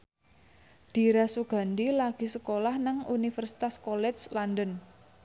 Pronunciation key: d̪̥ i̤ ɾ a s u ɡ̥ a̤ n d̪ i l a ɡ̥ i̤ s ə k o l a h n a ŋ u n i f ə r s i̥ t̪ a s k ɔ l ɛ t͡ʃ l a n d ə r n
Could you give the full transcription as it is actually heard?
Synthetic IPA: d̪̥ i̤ ɾ a s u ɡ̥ a̤ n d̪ i l a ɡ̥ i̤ s ə k o l a h n a ŋ u n i f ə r s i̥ t̪ a s k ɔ l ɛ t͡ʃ l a n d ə n